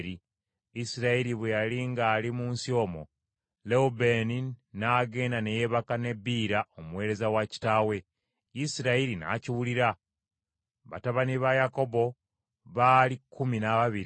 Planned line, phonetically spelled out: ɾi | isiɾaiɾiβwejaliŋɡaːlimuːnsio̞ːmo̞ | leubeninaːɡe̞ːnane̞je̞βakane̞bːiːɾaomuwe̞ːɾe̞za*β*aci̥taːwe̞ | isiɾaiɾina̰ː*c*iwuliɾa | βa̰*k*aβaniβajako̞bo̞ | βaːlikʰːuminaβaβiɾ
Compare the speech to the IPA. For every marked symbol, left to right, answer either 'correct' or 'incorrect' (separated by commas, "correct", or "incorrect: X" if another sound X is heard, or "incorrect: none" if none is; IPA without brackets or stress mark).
incorrect: w, correct, incorrect: t